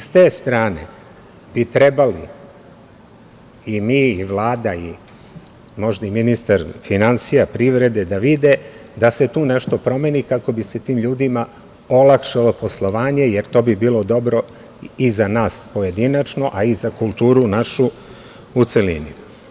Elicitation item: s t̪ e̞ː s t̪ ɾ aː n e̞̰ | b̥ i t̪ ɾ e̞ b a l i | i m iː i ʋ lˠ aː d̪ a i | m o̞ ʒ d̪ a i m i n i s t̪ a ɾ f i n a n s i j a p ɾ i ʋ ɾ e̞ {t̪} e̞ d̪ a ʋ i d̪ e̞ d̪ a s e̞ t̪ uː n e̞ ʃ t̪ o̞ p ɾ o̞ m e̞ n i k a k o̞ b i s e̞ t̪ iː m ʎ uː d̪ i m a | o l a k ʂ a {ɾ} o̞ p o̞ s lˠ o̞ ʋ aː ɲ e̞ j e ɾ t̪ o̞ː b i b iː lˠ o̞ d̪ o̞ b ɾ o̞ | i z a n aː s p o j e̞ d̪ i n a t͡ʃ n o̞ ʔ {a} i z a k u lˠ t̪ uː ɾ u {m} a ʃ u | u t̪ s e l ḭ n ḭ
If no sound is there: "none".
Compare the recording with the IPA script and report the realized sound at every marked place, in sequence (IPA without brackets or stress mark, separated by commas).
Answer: d̪, l, a, n